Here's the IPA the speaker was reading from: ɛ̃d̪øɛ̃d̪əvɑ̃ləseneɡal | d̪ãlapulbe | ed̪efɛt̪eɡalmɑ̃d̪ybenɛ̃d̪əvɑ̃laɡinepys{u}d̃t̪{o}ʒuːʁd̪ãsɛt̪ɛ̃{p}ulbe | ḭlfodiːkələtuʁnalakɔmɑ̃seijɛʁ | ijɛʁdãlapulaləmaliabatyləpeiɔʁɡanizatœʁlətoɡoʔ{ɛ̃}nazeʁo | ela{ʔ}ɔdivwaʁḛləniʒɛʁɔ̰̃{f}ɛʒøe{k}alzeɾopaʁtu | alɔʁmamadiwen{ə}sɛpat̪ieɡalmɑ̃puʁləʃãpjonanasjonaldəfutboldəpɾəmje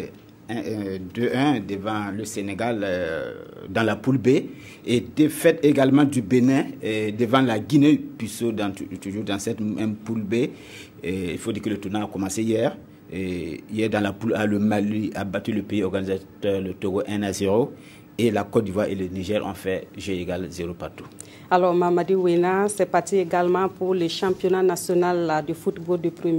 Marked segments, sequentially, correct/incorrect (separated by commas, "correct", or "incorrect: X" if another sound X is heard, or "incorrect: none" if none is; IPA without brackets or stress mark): incorrect: o, incorrect: u, correct, correct, incorrect: k, correct, incorrect: ɡ, incorrect: a